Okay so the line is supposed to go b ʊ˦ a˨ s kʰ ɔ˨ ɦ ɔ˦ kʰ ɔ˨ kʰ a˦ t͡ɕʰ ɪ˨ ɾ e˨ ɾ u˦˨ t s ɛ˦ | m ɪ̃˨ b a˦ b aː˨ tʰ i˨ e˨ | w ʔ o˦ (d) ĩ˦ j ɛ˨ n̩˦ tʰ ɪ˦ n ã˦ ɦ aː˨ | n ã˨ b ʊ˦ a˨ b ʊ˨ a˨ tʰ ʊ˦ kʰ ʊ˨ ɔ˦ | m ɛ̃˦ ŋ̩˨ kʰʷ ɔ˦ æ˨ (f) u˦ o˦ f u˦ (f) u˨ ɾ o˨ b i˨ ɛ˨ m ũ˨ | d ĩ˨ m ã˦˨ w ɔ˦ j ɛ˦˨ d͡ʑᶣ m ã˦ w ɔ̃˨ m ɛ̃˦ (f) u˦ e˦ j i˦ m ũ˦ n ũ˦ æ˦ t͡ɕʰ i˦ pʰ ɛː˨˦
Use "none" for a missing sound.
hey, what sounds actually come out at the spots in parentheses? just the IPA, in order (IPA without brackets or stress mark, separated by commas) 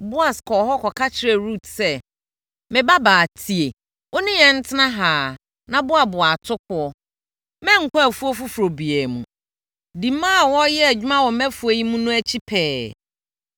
n, f, f, f